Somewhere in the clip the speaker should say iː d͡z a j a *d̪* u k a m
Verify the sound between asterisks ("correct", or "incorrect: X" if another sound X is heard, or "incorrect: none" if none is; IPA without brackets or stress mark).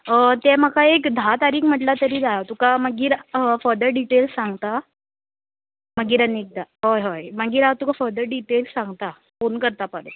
incorrect: t̪